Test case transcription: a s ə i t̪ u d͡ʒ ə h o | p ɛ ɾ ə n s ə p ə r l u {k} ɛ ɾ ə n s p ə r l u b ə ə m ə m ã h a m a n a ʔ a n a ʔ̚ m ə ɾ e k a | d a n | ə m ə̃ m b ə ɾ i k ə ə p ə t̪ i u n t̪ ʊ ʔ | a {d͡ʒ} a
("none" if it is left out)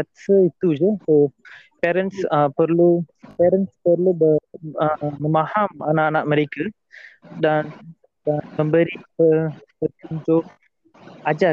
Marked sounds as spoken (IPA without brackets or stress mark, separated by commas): p, d͡ʒ